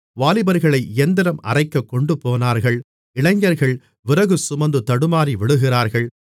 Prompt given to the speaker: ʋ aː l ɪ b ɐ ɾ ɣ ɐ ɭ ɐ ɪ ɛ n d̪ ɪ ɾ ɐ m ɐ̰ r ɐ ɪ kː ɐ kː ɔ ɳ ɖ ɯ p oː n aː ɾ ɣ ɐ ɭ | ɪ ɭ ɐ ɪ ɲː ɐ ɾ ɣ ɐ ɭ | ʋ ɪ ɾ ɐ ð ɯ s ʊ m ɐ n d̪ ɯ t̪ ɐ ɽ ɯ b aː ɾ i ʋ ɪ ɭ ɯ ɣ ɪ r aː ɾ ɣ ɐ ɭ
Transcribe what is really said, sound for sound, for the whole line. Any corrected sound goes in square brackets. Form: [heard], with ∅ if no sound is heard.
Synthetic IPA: ʋ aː l ɪ b ɐ ɾ ɣ ɐ ɭ ɐ ɪ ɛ n d̪ ɪ ɾ ɐ m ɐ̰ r ɐ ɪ kː ɐ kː ɔ ɳ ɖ ɯ p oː n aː ɾ ɣ ɐ ɭ | ɪ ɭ ɐ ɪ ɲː ɐ ɾ ɣ ɐ ɭ | ʋ ɪ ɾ ɐ [ɣ] ɯ s ʊ m ɐ n d̪ ɯ t̪ ɐ ɽ ɯ [m] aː ɾ i ʋ ɪ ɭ ɯ ɣ ɪ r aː ɾ ɣ ɐ ɭ